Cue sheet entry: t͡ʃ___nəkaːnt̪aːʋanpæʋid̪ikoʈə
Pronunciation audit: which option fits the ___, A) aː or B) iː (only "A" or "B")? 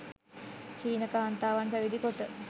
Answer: B